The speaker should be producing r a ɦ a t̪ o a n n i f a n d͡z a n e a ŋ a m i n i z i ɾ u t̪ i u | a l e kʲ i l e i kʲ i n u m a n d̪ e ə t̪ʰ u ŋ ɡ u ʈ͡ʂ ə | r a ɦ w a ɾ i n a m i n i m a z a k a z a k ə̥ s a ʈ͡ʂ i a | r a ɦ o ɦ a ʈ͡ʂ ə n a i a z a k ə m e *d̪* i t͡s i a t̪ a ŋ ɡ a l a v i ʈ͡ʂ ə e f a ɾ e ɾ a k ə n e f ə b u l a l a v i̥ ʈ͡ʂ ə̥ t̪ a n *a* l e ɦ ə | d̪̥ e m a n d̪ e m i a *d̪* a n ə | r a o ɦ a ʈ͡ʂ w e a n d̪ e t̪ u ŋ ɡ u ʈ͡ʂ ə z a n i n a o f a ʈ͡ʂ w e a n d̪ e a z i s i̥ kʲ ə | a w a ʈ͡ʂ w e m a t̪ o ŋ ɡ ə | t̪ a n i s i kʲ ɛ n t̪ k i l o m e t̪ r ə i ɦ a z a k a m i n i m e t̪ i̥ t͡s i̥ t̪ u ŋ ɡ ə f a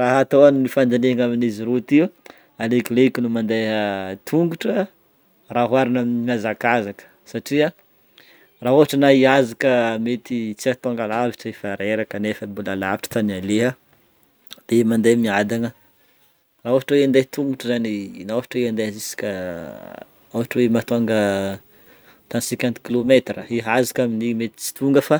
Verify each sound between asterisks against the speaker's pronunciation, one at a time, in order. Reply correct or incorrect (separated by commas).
incorrect, correct, correct